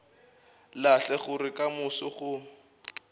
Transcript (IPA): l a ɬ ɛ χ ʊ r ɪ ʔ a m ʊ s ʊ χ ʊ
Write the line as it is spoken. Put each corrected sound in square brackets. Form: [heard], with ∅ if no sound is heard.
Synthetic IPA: l a ɬ ɛ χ ʊ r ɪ [k] a m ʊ s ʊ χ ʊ